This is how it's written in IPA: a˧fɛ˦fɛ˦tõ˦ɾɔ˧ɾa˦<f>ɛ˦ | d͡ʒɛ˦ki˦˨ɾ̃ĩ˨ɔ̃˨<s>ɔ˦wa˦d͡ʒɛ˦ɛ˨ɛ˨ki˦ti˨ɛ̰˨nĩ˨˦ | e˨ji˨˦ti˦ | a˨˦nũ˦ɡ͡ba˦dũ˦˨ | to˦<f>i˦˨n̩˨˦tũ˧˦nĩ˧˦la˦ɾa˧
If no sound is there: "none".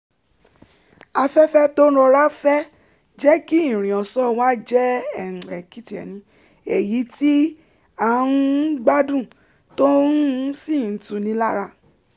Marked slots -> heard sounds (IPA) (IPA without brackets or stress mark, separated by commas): f, s, s